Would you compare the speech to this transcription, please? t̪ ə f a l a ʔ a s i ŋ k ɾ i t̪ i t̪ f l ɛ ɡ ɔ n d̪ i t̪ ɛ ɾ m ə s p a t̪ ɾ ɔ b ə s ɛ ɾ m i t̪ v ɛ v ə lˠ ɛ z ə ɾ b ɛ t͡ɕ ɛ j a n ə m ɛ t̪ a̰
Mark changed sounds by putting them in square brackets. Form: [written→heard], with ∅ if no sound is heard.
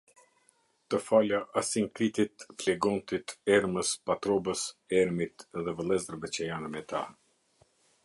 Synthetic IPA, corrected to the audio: t̪ ə f a l a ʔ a s i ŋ k ɾ i t̪ i t̪ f l ɛ ɡ ɔ n [d̪→t̪] i t̪ ɛ ɾ m ə s p a t̪ ɾ ɔ b ə s ɛ ɾ m i t̪ [v→ð] ɛ v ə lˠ ɛ z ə ɾ b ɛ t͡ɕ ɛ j a n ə m ɛ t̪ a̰